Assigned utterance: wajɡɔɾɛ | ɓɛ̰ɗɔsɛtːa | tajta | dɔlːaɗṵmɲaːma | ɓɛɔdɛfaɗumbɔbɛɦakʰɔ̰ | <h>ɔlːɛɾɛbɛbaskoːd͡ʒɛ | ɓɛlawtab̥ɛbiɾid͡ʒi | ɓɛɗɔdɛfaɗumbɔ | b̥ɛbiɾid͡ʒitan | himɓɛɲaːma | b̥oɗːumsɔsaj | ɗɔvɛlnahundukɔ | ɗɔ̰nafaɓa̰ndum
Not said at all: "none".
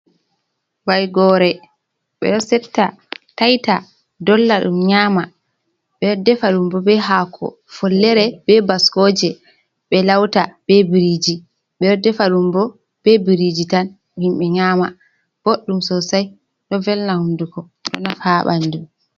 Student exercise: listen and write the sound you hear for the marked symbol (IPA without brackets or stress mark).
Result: f